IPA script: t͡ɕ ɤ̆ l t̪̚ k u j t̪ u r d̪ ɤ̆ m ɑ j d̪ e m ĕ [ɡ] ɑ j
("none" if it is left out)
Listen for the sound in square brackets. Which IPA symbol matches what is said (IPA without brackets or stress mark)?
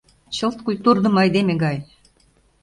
ɡ